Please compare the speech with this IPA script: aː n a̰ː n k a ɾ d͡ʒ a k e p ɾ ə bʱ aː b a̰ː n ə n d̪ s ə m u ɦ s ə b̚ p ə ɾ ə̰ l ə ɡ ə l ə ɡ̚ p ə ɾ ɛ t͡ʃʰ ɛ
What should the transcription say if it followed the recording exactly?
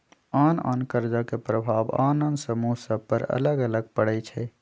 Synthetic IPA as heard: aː n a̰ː n k ə ɾ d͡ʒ a k e p ɾ ə bʱ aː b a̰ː n ə n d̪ s ə m u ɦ s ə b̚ p ə ɾ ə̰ l ə ɡ ə l ə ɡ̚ p ə ɽ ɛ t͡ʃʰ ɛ